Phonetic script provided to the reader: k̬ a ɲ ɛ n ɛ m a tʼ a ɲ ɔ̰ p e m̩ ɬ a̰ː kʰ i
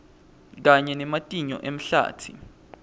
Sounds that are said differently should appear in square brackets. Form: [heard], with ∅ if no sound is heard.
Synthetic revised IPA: k̬ a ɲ ɛ n ɛ m a tʼ [i] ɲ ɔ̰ [ʔ] e m̩ ɬ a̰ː [tʰ] i